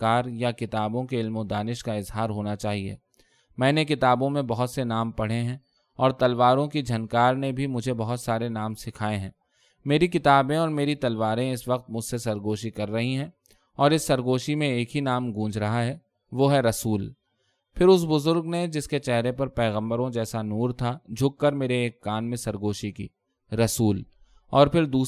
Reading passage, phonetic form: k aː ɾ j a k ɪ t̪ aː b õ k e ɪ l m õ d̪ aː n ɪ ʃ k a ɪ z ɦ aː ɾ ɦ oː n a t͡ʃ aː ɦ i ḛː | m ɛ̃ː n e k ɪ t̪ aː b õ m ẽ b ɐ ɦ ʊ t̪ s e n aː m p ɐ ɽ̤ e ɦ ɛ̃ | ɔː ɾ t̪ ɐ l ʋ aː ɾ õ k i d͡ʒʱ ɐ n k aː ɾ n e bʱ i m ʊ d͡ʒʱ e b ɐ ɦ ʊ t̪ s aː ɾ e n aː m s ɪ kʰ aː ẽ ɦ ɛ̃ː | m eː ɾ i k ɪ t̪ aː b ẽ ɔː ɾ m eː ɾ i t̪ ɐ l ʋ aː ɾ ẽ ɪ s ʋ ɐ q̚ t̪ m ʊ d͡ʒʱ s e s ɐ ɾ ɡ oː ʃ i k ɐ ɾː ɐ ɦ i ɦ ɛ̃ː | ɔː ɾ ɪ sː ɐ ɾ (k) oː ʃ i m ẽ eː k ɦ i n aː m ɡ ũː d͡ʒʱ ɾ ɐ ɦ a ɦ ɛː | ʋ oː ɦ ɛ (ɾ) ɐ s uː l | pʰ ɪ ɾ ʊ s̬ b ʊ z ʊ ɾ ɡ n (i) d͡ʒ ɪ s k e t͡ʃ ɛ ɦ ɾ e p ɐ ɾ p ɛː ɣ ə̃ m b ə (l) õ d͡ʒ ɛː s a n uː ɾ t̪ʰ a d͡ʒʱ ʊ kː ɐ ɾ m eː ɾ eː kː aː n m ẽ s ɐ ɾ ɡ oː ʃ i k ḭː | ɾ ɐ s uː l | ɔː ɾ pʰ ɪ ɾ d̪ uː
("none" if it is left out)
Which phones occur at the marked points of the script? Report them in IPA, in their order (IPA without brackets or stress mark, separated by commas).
ɡ, ɾ, e, ɾ